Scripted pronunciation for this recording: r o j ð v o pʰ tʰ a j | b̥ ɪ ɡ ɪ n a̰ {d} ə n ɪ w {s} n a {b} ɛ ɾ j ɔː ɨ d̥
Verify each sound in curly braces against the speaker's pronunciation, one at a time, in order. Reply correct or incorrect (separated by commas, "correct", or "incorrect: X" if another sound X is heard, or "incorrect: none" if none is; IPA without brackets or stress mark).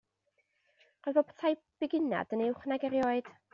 correct, incorrect: χ, incorrect: ɡ